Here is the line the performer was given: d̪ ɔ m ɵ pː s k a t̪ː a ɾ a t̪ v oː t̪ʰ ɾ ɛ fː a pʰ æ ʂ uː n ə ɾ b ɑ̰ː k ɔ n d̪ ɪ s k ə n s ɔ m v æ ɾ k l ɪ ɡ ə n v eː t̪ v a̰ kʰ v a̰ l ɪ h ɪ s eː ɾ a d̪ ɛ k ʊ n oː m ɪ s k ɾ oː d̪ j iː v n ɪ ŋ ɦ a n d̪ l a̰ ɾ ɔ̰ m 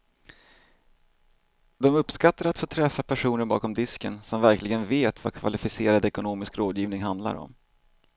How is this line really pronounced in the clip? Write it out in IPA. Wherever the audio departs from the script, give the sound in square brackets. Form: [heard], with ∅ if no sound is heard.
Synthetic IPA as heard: d̪ ɔ m ɵ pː s k a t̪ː a ɾ a t̪ [f] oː t̪ʰ ɾ ɛ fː a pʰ æ ʂ uː n ə ɾ b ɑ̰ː k ɔ [m] d̪ ɪ s k ə n s ɔ m v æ ɾ k l ɪ ɡ ə n v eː t̪ v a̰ kʰ v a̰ l ɪ [f] ɪ s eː ɾ a d̪ ɛ k ʊ n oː m ɪ s k ɾ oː d̪ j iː v n ɪ ŋ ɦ a n d̪ l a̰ ɾ ɔ̰ m

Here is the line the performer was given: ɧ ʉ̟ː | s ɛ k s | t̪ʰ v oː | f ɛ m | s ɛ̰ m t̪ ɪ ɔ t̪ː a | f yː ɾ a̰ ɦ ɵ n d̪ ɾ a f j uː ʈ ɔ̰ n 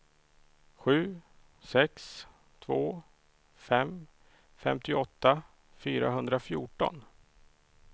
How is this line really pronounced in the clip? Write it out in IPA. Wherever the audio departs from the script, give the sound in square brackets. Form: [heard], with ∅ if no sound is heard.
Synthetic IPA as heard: ɧ ʉ̟ː | s ɛ k s | t̪ʰ v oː | f ɛ m | [f] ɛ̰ m t̪ ɪ ɔ t̪ː a | f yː ɾ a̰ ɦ ɵ n d̪ ɾ a f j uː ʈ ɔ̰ n

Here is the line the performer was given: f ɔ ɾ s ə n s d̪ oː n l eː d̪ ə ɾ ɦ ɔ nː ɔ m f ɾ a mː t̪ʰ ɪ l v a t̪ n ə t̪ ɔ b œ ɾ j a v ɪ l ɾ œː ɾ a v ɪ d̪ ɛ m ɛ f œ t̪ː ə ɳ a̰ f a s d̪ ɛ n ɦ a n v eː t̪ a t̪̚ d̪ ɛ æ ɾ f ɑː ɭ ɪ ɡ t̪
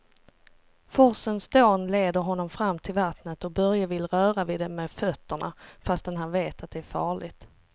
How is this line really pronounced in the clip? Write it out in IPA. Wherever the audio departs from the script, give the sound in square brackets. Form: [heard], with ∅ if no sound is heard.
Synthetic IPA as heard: f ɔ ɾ s ə n s d̪ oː n l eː d̪ ə ɾ ɦ ɔ nː ɔ m f ɾ a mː t̪ʰ ɪ l v a t̪ n ə t̪ ɔ b œ ɾ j a v ɪ l ɾ œː ɾ a v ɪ d̪ ɛ m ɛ f œ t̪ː ə ɳ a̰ f a s [t̪] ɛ n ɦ a n v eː t̪ a t̪̚ d̪ ɛ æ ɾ f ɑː ɭ ɪ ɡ t̪

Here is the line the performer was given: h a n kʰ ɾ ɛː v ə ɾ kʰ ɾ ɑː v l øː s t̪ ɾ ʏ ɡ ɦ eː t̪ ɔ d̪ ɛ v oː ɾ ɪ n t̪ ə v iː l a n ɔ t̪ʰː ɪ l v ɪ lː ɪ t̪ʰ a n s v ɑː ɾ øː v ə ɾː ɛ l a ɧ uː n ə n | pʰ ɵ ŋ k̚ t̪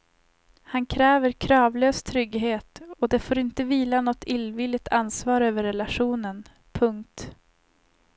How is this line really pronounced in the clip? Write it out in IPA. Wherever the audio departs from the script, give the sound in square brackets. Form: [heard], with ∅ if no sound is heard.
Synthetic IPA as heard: h a n kʰ ɾ ɛː v ə ɾ kʰ ɾ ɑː v l øː s [t̪ʰ] ɾ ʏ ɡ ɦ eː t̪ ɔ d̪ ɛ [f] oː ɾ ɪ n t̪ ə v iː l a n ɔ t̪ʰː ɪ l v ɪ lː ɪ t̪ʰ a n s v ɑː ɾ øː v ə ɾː ɛ l a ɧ uː n ə n | pʰ ɵ ŋ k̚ t̪

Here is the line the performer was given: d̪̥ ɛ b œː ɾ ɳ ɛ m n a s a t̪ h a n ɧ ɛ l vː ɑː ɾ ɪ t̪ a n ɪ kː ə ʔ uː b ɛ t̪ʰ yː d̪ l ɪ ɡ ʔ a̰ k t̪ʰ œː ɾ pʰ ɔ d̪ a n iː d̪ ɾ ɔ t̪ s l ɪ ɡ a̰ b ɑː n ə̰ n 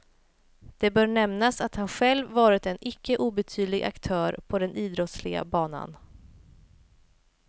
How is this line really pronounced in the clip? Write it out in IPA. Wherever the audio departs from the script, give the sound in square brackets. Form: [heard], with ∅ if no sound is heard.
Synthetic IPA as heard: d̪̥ ɛ b œː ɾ ɳ ɛ m n a s a t̪ h a n ɧ ɛ l vː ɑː ɾ ɪ t̪ [ɛ] n ɪ kː ə ʔ uː b ɛ t̪ʰ yː d̪ l ɪ ɡ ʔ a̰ k t̪ʰ œː ɾ pʰ ɔ d̪ [ɛ] n iː d̪ ɾ ɔ t̪ s l ɪ ɡ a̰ b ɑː n [a̰] n

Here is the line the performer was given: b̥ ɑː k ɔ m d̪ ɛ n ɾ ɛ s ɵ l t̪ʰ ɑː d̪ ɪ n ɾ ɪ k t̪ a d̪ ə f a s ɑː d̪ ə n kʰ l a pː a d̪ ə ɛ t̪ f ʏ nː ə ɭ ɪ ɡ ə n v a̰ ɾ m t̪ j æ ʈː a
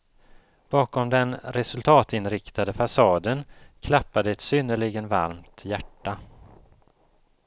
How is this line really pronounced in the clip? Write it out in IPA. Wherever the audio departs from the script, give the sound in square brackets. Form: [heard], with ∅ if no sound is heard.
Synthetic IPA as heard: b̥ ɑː k ɔ m d̪ ɛ n ɾ ɛ s ɵ l t̪ʰ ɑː [t̪] ɪ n ɾ ɪ k t̪ a d̪ ə f a s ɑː d̪ ə n kʰ l a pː a d̪ ə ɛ t̪ [s] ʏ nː ə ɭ ɪ ɡ ə n v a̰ ɾ m t̪ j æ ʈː a

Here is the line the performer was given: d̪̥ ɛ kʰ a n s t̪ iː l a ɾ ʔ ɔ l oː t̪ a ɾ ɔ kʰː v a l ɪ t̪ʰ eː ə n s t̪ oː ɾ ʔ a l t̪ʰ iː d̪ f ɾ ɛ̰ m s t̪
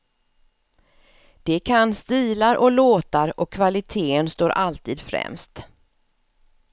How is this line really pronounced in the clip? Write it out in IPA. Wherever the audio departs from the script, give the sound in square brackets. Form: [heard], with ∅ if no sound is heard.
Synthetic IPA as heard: d̪̥ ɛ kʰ a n s t̪ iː l a ɾ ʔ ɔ l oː t̪ a ɾ ɔ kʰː v a l ɪ t̪ʰ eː ə n s t̪ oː ɾ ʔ a l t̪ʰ iː d̪ f ɾ ɛ̰ m s t̪

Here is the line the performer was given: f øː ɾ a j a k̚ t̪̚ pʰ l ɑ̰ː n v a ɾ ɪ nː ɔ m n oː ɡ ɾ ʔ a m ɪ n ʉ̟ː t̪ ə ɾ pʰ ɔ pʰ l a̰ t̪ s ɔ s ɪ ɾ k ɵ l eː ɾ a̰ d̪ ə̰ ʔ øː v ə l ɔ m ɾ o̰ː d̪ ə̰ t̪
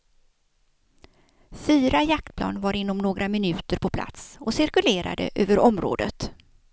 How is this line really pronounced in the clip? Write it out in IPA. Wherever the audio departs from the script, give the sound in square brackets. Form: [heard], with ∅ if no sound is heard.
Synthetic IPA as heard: f [yː] ɾ a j a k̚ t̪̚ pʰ l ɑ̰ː n v a ɾ ɪ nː ɔ m n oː ɡ ɾ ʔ a m ɪ n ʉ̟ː t̪ ə ɾ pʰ ɔ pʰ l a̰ t̪ s ɔ s ɪ ɾ k ɵ l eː ɾ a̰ d̪ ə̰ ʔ øː v ə [ɾ] ɔ m ɾ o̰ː d̪ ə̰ t̪

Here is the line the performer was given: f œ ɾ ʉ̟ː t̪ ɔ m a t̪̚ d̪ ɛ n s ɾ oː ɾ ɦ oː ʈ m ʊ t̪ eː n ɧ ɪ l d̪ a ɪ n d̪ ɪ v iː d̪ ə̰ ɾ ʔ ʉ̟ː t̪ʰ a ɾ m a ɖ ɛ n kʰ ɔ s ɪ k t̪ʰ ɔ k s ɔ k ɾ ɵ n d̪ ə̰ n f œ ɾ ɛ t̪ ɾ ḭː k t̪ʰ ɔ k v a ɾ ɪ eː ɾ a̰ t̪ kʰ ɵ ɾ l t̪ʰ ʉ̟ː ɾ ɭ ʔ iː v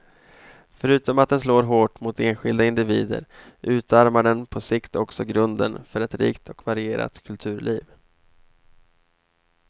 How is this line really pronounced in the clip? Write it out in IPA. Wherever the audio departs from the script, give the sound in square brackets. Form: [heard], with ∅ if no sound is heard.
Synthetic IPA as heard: f œ ɾ ʉ̟ː t̪ ɔ m a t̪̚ d̪ ɛ n s [l] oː ɾ ɦ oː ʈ m ʊ t̪ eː n ɧ ɪ l d̪ a ɪ n d̪ ɪ v iː d̪ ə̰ ɾ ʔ ʉ̟ː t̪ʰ a ɾ m a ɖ ɛ n [pʰ] ɔ s ɪ k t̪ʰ ɔ k s ɔ [ɡ] ɾ ɵ n d̪ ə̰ n f œ ɾ ɛ t̪ ɾ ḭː k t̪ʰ ɔ k v a ɾ ɪ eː ɾ a̰ t̪ kʰ ɵ [∅] l t̪ʰ ʉ̟ː ɾ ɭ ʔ iː v

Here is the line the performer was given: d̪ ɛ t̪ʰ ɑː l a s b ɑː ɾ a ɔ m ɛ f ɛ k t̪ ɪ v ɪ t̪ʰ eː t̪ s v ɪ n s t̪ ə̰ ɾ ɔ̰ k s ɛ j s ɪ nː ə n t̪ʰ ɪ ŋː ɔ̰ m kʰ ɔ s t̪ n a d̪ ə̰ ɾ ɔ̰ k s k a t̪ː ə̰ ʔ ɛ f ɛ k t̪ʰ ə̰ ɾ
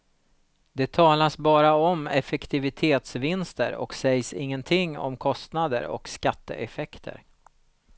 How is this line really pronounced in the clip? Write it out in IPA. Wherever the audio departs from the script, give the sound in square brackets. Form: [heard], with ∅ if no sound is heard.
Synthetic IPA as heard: d̪ ɛ t̪ʰ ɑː l a s b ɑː ɾ a ɔ m ɛ f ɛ k t̪ ɪ v ɪ t̪ʰ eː t̪ s v ɪ n s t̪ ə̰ ɾ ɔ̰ k s ɛ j s ɪ [ŋː] ə n t̪ʰ ɪ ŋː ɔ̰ m kʰ ɔ s t̪ n a d̪ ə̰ ɾ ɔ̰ k s k a t̪ː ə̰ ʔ ɛ f ɛ k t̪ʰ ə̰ ɾ

